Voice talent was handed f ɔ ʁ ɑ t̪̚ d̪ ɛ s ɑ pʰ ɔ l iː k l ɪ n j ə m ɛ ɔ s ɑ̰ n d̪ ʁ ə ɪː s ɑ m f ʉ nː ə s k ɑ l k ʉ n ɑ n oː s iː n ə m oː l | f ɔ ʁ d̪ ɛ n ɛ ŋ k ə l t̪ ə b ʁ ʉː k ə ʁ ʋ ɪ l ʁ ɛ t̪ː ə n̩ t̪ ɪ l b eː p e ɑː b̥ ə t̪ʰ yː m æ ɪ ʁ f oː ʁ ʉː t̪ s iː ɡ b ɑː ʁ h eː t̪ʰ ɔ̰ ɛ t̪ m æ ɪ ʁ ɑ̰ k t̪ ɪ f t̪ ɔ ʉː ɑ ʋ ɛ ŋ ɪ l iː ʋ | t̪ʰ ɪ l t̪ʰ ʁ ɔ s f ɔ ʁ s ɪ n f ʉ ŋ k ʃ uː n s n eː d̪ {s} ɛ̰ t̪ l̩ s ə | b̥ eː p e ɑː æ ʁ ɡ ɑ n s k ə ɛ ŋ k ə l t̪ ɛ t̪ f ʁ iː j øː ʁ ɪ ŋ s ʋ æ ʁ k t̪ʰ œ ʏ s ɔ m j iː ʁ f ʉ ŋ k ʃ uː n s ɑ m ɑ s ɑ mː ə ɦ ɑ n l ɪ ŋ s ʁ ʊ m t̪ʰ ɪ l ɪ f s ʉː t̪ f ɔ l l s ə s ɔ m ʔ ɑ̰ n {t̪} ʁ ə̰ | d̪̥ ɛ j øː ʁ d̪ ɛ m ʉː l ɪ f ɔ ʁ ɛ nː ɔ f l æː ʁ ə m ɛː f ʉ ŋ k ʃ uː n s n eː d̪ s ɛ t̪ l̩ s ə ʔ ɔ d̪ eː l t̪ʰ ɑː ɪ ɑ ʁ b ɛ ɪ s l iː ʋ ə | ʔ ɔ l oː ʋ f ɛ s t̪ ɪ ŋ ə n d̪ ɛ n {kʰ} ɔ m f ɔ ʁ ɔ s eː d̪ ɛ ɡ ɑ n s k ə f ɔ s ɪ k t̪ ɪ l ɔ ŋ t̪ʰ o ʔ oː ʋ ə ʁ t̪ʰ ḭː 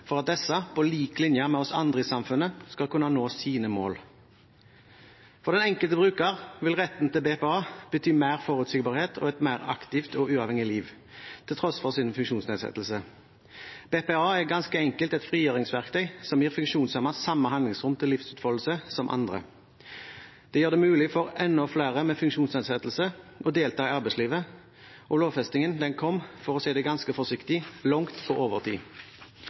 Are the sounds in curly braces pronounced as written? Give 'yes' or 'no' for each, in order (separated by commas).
yes, no, yes